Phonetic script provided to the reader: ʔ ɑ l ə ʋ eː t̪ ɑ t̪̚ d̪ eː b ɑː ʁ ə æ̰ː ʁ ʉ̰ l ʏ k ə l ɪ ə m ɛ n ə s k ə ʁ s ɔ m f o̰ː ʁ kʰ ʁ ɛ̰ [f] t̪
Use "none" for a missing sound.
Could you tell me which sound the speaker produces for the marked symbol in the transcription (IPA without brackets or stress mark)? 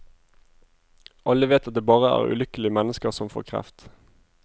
f